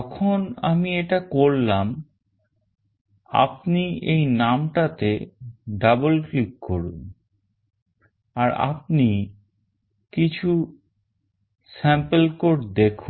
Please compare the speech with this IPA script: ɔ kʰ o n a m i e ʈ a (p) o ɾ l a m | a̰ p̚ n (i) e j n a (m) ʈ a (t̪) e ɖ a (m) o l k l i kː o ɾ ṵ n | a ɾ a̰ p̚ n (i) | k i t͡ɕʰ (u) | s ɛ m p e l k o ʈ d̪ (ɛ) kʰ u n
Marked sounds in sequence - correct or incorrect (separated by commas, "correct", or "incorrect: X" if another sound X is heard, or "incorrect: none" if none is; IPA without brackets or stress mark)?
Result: incorrect: k, correct, correct, correct, incorrect: b, correct, correct, incorrect: e